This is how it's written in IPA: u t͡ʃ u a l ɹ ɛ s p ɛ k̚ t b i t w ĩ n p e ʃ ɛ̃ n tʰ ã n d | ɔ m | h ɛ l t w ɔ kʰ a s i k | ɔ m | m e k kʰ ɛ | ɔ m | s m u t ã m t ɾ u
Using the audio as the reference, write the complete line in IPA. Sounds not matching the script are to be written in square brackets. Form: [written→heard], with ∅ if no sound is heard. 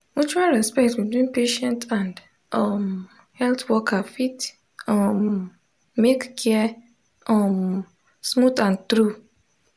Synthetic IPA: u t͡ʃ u a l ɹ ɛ s p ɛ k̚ t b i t w ĩ n p e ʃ ɛ̃ n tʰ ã n d | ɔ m | h ɛ l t w ɔ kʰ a [s→f] i [k→t] | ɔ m | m e k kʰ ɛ | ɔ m | s m u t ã [m→n] t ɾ u